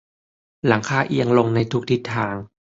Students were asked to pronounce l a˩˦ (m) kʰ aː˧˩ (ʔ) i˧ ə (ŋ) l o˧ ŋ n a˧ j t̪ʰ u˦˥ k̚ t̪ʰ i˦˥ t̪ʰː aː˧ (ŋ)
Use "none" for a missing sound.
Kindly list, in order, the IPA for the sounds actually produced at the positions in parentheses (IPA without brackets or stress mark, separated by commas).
ŋ, ʔ, ŋ, ŋ